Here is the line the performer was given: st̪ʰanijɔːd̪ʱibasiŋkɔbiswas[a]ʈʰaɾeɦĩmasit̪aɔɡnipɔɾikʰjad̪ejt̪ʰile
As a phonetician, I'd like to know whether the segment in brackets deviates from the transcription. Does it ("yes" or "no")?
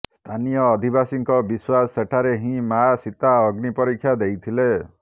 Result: yes